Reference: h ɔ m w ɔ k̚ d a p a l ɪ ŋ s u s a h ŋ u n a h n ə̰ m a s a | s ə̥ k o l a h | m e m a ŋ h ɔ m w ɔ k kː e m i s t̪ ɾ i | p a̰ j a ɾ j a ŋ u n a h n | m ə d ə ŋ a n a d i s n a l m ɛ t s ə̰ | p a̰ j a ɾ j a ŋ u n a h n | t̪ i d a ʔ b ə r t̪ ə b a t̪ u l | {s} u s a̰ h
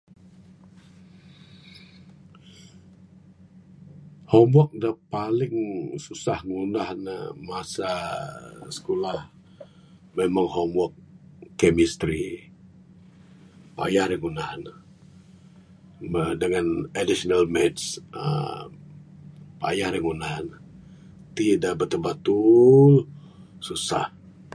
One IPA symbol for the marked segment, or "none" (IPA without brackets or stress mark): s